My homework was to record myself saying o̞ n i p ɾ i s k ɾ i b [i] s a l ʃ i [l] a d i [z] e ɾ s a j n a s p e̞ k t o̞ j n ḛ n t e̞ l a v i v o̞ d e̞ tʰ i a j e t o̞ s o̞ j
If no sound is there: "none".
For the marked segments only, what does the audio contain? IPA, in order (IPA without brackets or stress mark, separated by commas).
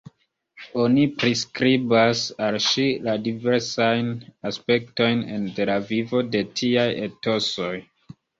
a, l, v